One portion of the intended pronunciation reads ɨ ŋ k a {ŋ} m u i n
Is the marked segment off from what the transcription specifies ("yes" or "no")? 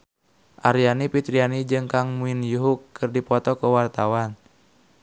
no